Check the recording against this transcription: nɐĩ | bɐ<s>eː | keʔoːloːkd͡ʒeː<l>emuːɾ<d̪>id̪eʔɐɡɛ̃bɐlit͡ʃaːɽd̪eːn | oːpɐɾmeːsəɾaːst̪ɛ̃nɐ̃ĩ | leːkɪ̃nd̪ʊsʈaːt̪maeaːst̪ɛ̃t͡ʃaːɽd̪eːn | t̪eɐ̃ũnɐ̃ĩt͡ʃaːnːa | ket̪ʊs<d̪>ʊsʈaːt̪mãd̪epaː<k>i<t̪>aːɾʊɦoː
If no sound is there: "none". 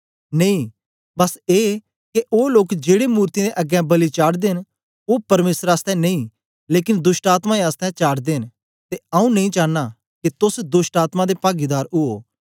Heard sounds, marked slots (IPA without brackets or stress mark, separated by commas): s, ɽ, t̪, d̪, ɡ, d̪